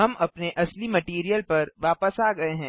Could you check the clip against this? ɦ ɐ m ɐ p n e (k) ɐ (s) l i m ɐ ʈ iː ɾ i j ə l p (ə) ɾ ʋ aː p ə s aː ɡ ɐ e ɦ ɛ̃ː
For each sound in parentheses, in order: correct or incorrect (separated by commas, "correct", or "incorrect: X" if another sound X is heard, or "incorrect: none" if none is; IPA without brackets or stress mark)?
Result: incorrect: ʔ, correct, incorrect: ɐ